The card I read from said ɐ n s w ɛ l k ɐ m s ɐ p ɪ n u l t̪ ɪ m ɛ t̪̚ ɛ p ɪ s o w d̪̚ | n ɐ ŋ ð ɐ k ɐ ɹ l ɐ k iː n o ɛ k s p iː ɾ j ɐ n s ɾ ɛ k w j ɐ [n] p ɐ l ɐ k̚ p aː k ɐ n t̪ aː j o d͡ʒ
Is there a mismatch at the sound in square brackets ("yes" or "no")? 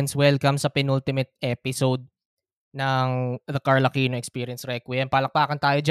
no